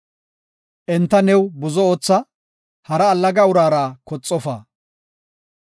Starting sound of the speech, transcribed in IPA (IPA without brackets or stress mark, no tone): ʔ